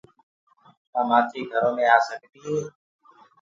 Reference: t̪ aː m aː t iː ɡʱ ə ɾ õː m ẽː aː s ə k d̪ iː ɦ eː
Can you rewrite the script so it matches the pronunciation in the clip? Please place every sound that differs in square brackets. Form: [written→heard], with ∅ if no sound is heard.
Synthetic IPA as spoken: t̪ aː m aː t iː ɡʱ ə ɾ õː m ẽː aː s ə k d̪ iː ɦ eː